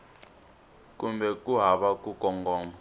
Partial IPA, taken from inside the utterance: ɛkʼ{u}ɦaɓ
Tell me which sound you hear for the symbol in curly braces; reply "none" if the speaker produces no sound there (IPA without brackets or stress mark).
u